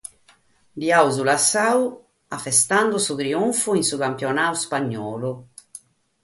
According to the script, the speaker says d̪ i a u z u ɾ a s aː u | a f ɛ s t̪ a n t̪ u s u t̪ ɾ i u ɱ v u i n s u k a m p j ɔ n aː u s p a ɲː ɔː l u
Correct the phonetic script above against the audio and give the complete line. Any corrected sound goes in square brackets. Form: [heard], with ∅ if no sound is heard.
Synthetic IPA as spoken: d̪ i a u z u [l] a s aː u | a f ɛ s t̪ a n [d̪] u s u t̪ ɾ i u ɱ [f] u i n s u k a m p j ɔ n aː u s p a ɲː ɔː l u